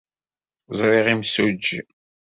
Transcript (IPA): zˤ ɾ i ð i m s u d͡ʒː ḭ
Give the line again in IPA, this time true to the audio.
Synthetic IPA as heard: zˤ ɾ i ʁ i m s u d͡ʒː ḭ